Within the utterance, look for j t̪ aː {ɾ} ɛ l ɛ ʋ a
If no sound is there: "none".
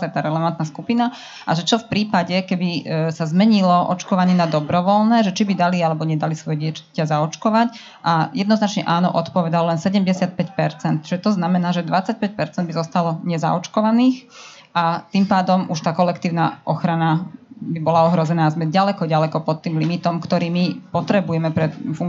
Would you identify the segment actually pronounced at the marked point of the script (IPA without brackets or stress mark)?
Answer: ɾ